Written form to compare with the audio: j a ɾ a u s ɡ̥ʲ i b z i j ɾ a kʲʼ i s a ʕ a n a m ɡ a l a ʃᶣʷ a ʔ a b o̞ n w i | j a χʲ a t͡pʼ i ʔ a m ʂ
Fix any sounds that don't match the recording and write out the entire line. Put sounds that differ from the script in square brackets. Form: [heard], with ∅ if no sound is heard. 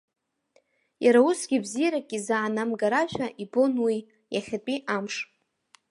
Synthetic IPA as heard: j a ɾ a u s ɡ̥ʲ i b z i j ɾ a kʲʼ i [z] a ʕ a n a m ɡ a [ɾ] a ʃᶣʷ a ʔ [i] b o̞ n w i | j a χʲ a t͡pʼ i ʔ a m ʂ